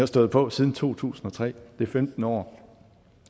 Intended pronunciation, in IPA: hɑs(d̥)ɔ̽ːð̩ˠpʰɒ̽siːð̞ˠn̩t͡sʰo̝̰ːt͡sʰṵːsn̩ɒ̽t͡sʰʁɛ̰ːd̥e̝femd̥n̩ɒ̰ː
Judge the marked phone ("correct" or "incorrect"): correct